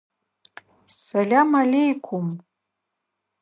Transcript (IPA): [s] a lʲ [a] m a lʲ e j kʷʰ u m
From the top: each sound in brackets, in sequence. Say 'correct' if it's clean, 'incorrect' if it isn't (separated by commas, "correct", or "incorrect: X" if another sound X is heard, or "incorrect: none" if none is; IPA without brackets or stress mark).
correct, correct